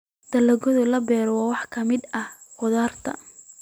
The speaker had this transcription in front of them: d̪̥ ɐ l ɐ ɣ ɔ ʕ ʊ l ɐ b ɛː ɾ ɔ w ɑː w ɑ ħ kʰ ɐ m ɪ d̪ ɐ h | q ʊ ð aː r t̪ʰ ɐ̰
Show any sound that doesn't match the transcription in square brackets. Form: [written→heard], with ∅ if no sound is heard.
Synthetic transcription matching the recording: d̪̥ ɐ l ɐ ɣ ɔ [ʕ→ð] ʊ l ɐ b ɛː ɾ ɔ w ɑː w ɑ ħ kʰ ɐ m ɪ d̪ ɐ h | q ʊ ð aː r t̪ʰ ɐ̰